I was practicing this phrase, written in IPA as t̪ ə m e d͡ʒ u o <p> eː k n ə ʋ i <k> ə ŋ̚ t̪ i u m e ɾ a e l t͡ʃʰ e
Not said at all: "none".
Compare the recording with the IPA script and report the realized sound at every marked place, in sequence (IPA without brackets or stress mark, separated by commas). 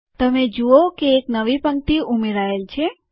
k, p